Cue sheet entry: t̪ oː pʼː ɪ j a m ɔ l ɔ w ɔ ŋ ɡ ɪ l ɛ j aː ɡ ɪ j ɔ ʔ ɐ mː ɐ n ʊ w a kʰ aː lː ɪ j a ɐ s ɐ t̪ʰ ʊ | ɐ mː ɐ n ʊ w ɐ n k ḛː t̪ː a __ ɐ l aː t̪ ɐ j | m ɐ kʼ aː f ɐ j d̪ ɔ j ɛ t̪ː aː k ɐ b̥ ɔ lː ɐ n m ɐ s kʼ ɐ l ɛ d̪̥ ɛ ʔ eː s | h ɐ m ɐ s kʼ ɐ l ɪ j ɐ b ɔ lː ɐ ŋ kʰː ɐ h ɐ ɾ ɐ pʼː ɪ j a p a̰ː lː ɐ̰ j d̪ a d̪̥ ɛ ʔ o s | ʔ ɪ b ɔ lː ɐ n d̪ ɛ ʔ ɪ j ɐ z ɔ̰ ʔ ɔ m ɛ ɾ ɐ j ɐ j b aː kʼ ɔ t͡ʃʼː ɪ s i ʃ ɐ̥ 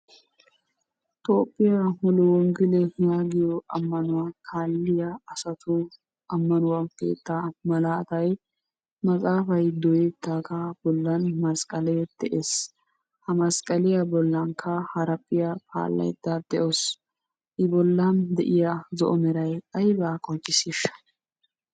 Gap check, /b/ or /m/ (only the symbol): m